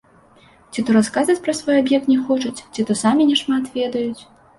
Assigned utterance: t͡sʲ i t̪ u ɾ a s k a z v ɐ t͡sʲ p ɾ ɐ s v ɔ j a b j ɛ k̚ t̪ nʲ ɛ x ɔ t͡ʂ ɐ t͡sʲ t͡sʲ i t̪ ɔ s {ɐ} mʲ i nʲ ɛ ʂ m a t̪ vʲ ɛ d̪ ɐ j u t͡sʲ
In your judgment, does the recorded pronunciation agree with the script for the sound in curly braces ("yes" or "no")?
no